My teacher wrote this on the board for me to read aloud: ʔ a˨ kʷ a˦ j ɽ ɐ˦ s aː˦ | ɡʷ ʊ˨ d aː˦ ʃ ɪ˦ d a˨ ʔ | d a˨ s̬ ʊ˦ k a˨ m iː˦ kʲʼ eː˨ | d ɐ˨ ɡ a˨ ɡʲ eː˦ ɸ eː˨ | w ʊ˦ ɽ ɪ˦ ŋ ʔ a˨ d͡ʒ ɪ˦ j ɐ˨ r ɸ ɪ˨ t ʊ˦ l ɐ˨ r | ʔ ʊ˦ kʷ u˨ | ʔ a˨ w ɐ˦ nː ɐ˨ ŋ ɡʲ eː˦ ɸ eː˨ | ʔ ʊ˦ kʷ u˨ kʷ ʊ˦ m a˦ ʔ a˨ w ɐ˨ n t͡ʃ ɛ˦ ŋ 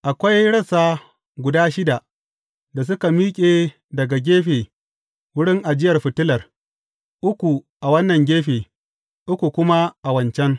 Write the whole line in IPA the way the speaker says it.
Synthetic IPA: ʔ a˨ kʷ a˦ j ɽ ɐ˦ s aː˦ | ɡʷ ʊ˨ d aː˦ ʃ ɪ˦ d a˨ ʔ | d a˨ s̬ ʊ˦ k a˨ m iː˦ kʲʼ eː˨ | d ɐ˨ ɡ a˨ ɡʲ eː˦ ɸ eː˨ | w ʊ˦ ɽ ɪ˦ ŋ ʔ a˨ d͡ʒ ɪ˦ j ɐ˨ r ɸ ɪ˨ t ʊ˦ l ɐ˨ r | ʔ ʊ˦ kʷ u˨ | ʔ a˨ w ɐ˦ nː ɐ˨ ŋ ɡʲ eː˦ ɸ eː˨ | ʔ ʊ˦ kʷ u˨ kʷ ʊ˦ m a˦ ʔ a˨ w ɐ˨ n t͡ʃ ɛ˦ ŋ